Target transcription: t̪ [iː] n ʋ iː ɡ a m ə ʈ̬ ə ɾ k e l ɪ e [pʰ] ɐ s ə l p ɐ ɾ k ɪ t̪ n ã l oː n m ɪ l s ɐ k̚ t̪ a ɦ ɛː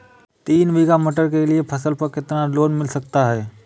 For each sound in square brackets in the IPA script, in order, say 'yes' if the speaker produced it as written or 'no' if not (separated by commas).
yes, yes